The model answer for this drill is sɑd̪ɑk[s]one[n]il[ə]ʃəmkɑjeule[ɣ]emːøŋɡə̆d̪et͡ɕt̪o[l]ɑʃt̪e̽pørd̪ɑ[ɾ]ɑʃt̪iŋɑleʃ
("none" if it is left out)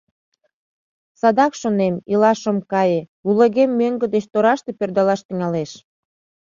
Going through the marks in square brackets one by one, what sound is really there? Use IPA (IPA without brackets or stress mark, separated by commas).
ʃ, m, ɑ, ɣ, ɾ, l